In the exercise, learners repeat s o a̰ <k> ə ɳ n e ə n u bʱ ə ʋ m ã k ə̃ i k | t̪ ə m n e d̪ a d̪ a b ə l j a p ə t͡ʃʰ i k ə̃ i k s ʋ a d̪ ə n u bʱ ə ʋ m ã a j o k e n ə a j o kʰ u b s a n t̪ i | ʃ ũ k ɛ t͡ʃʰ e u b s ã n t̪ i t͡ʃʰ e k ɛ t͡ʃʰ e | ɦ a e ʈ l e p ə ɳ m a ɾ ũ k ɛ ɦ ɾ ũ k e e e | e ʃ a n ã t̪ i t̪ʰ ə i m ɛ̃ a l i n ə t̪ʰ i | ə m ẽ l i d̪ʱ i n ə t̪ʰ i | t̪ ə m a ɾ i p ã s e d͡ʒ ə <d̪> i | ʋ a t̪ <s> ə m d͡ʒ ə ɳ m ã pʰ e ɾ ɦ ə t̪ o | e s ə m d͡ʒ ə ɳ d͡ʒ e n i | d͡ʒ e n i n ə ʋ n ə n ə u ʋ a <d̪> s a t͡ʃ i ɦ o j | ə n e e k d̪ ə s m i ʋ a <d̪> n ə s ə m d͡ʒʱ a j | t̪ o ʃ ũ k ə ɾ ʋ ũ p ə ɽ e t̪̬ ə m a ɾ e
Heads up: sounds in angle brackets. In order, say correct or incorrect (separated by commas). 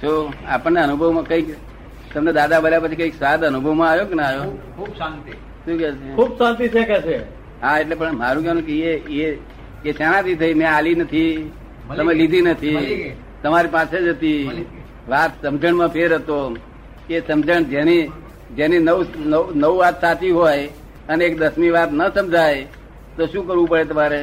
incorrect, incorrect, correct, incorrect, incorrect